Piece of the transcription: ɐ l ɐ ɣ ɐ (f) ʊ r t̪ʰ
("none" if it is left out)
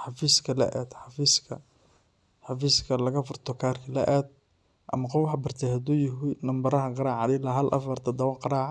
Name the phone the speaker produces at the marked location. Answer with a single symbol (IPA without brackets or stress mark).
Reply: f